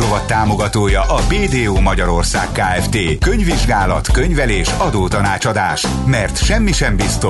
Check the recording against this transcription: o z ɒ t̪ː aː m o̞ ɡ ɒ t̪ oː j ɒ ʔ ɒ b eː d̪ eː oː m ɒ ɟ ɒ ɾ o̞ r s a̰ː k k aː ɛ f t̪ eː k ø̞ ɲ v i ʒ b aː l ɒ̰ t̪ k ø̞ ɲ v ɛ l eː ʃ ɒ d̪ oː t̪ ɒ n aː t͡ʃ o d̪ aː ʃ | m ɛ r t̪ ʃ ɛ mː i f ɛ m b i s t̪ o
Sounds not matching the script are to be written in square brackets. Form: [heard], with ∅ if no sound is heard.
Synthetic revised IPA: o [v] ɒ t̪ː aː m o̞ ɡ ɒ t̪ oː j ɒ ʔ ɒ b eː d̪ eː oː m ɒ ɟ ɒ ɾ o̞ r s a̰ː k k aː ɛ f t̪ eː k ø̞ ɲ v i ʒ [ɡ] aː l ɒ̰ t̪ k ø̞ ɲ v ɛ l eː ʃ ɒ d̪ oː t̪ ɒ n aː t͡ʃ [ɒ] d̪ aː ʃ | m ɛ r t̪ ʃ ɛ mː i [ʃ] ɛ m b i s t̪ o